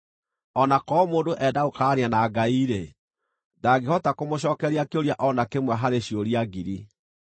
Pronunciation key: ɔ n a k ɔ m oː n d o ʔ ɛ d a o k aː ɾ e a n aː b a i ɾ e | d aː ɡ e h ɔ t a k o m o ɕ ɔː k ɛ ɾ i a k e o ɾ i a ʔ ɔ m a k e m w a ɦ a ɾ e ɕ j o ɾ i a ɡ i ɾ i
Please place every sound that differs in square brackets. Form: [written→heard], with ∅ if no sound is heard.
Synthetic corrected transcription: ɔ n a k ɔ m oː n d o ʔ ɛ d a o k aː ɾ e a n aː [b→ɡ] a i ɾ e | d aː ɡ e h ɔ t a k o m o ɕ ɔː k ɛ ɾ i a k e o ɾ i a ʔ ɔ [m→n] a k e m w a ɦ a ɾ e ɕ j o ɾ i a ɡ i ɾ i